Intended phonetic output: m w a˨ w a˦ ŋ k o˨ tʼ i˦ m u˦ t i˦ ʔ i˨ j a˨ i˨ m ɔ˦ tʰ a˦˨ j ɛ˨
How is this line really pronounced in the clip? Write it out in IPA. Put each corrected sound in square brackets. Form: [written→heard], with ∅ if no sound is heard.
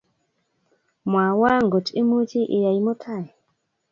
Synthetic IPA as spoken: m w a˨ w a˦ ŋ [k→ɡ] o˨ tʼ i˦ m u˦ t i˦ ʔ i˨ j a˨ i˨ m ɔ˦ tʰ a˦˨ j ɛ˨